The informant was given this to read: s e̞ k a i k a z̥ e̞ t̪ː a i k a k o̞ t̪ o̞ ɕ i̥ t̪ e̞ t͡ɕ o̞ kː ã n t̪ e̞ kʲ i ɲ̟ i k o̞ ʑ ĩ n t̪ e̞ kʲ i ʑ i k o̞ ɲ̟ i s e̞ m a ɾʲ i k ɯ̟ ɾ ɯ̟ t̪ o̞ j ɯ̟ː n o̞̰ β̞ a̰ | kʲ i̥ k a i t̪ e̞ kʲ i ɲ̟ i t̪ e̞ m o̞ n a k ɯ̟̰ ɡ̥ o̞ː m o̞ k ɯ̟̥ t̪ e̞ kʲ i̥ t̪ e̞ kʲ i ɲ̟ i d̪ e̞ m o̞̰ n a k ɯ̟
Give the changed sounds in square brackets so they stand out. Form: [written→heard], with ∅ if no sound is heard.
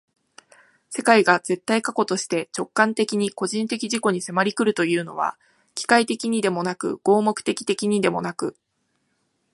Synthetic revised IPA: s e̞ k a i [k→ɡ] a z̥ e̞ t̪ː a i k a k o̞ t̪ o̞ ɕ i̥ t̪ e̞ t͡ɕ o̞ kː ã n t̪ e̞ kʲ i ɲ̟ i k o̞ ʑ ĩ n t̪ e̞ kʲ i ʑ i k o̞ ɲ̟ i s e̞ m a ɾʲ i k ɯ̟ ɾ ɯ̟ t̪ o̞ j ɯ̟ː n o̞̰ β̞ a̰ | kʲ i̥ k a i t̪ e̞ kʲ i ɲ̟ i [t̪→d̪] e̞ m o̞ n a k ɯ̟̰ ɡ̥ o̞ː m o̞ k ɯ̟̥ t̪ e̞ kʲ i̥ t̪ e̞ kʲ i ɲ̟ i d̪ e̞ m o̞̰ n a k ɯ̟